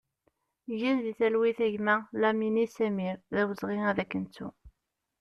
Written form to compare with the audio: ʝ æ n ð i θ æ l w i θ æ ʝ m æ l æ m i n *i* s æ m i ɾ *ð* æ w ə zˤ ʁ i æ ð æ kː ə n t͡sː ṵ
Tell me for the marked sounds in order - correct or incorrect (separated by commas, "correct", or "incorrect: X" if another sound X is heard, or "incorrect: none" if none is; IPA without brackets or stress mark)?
correct, correct